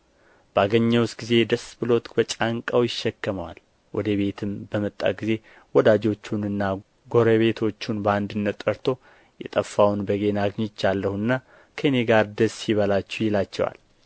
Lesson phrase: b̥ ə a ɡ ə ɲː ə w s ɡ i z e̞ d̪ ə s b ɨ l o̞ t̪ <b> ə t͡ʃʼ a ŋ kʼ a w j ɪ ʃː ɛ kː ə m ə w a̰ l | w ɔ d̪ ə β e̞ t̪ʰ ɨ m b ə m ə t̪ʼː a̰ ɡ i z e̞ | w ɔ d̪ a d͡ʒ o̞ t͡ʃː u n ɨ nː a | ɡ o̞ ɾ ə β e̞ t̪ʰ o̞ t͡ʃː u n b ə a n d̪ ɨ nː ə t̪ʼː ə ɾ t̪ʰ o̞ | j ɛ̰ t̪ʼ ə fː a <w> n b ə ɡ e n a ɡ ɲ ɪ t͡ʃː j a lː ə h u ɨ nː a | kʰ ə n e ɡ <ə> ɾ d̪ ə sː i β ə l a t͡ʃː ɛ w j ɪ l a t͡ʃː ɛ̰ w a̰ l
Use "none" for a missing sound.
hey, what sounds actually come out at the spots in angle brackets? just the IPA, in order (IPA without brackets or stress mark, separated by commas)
b, w, a